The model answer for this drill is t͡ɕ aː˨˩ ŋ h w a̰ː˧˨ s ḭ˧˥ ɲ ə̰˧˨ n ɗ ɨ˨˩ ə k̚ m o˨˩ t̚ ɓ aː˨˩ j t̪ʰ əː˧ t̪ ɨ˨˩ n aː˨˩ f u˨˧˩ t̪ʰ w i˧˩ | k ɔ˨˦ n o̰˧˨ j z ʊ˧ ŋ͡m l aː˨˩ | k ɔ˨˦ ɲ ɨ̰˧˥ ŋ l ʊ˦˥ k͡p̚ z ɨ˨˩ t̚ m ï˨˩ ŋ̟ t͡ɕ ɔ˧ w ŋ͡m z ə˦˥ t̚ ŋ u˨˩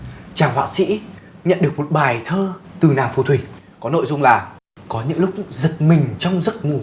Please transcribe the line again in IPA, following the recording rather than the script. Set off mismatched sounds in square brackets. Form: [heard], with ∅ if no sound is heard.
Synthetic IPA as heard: t͡ɕ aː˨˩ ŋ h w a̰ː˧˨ s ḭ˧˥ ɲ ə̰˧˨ n ɗ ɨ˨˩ ə k̚ m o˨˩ t̚ ɓ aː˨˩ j t̪ʰ əː˧ t̪ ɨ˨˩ n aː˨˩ f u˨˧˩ t̪ʰ w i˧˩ | k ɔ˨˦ n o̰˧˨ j z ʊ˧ ŋ͡m l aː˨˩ | k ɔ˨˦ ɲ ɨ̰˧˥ ŋ l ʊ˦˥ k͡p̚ z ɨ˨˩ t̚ m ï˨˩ ŋ̟ t͡ɕ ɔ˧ w ŋ͡m z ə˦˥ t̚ ŋ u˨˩